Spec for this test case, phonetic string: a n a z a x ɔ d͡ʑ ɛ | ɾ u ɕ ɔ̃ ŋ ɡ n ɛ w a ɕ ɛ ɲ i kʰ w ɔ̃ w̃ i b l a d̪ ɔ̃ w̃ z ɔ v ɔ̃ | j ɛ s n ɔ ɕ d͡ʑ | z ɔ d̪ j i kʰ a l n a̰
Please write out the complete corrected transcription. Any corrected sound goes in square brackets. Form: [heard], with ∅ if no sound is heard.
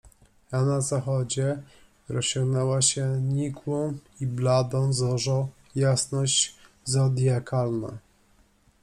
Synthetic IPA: a n a z a x ɔ d͡ʑ ɛ | ɾ [ɔ] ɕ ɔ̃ ŋ ɡ n ɛ w a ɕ ɛ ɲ i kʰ w ɔ̃ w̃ i b l a d̪ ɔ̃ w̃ z ɔ [ʐ] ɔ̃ | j [a] s n ɔ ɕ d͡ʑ | z ɔ d̪ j [a] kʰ a l n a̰